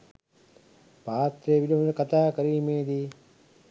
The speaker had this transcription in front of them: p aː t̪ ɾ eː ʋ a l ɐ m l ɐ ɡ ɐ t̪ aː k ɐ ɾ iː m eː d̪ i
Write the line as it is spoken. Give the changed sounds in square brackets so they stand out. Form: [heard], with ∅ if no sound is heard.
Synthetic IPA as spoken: p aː t̪ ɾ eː ʋ [i] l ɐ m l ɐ [k] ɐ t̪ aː k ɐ ɾ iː m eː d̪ i

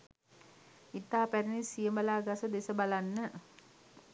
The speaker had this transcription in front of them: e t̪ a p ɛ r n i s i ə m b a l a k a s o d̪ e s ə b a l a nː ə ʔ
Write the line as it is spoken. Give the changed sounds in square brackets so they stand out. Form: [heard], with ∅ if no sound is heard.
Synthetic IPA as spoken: [i] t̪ a p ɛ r n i s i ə m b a l a [ɡ] a s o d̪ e s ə b a l a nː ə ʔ

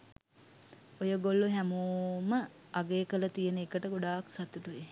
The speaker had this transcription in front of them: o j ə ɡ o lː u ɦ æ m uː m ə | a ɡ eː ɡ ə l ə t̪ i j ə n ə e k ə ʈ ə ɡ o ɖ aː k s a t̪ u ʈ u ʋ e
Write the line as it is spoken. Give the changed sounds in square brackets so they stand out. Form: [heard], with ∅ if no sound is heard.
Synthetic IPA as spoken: o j ə ɡ o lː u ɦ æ m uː m ə | a ɡ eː [k] ə l ə t̪ i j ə n ə e k ə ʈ ə ɡ o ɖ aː k s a t̪ u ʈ u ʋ e

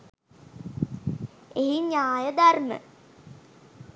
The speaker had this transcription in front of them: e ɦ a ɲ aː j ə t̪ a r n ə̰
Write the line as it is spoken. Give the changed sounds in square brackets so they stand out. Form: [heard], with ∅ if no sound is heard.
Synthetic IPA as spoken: e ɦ [i] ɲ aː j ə [d̪] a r [m] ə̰

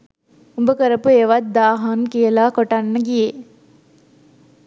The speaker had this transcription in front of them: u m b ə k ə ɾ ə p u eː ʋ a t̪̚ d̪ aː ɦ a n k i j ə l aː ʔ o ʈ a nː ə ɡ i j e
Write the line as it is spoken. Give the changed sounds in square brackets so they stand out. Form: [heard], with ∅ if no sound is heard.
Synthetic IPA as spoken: u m b ə k ə ɾ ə p u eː ʋ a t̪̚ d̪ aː ɦ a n k i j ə l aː [k] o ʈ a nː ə ɡ i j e

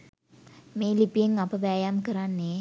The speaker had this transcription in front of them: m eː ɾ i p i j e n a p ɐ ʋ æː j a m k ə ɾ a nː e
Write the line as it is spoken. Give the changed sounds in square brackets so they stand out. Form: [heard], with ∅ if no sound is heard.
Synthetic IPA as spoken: m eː [l] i p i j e [ŋ] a p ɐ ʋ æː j a m k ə ɾ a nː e

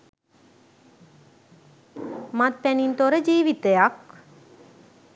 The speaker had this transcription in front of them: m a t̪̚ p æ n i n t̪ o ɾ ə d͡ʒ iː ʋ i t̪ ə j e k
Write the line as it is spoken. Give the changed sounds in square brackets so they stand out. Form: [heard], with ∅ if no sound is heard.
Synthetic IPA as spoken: m a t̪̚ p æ n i n t̪ o ɾ ə d͡ʒ iː ʋ i t̪ ə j [a] k

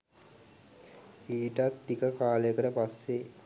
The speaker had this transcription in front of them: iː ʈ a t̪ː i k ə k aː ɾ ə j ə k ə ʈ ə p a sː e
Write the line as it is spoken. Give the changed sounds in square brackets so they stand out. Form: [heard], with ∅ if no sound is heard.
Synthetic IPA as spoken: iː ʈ a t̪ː i k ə k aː [l] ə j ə k ə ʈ ə p a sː e

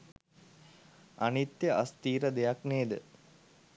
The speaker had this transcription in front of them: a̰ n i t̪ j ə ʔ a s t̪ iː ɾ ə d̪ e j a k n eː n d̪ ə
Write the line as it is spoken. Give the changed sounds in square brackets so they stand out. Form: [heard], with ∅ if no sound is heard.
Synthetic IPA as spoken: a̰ n i t̪ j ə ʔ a s t̪ iː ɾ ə d̪ e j a k n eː [∅] d̪ ə

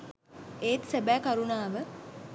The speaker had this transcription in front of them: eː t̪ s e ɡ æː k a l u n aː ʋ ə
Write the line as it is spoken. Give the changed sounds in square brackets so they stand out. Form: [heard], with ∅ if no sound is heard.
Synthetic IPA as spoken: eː t̪ s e [b] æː k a [ɾ] u n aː ʋ ə

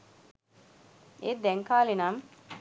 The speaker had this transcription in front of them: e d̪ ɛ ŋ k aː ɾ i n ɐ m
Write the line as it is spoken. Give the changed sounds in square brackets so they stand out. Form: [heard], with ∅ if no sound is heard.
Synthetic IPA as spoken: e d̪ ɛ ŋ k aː [l] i n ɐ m

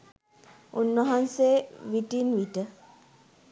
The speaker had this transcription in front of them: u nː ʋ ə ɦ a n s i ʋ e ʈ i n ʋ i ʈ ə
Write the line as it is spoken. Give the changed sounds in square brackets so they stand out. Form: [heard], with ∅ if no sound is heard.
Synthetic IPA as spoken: u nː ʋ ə ɦ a n s [e] ʋ [i] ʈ i n ʋ i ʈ ə

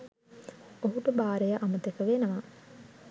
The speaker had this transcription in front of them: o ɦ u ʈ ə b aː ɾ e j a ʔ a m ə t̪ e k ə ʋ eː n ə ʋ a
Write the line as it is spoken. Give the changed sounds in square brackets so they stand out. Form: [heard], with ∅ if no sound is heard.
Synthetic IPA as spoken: o ɦ u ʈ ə b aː ɾ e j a ʔ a m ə t̪ e k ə ʋ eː n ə ʋ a

